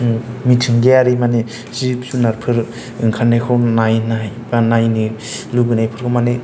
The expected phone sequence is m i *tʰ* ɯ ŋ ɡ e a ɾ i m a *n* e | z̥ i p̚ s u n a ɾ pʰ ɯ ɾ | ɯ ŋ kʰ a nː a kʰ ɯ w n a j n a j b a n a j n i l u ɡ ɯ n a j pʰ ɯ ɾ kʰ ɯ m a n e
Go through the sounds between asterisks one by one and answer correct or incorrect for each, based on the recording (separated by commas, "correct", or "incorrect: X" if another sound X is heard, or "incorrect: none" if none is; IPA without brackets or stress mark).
correct, correct